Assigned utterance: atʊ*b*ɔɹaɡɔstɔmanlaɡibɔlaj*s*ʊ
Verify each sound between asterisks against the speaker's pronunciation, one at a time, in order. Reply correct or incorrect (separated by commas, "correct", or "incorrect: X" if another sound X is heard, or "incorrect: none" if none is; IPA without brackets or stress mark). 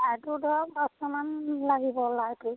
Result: incorrect: d, incorrect: t